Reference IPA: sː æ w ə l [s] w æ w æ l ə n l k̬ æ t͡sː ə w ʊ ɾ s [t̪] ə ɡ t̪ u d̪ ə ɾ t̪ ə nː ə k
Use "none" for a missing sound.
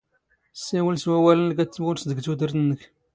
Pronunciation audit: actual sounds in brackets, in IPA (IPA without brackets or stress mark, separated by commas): s, d̪